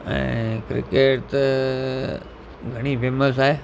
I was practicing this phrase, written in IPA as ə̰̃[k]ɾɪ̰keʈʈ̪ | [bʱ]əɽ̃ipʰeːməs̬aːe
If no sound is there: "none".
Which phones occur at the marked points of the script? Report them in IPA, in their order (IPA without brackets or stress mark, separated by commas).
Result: k, ɡʱ